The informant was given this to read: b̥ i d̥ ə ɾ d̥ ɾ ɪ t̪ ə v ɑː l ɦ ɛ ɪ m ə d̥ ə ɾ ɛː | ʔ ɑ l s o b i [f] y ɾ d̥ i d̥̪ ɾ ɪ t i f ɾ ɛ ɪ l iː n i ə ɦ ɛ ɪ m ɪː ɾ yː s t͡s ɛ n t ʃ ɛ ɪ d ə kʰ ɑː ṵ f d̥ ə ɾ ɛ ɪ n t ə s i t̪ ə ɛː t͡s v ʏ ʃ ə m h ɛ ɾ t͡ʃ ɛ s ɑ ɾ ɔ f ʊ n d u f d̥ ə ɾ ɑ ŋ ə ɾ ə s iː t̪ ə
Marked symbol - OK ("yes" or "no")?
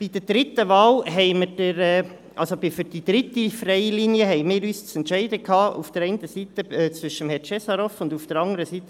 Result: yes